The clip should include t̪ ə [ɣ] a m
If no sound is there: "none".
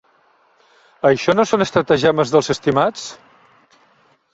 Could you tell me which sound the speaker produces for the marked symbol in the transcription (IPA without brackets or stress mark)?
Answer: ʒ